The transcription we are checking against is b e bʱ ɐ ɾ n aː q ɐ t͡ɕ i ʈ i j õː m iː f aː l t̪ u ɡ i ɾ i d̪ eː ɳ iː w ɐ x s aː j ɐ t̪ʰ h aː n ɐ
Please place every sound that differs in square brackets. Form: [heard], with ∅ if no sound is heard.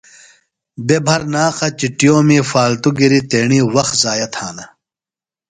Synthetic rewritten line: b e bʱ ɐ ɾ n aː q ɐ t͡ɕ i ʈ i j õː m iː f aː l t̪ u ɡ i ɾ i [t̪] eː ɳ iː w ɐ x [z] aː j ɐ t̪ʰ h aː n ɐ